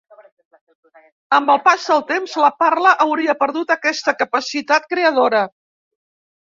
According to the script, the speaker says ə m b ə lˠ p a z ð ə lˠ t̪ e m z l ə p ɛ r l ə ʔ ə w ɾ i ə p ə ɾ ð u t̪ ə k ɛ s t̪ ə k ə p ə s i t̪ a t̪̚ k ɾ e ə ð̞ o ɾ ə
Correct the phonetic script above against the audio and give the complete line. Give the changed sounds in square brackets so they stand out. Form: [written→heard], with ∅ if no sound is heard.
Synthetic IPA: ə m b ə lˠ p a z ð ə lˠ t̪ e m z l ə p [ɛ→a] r l ə ʔ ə w ɾ i ə p ə ɾ ð u t̪ ə k ɛ s t̪ ə k ə p ə s i t̪ a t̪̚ k ɾ e ə ð̞ o ɾ ə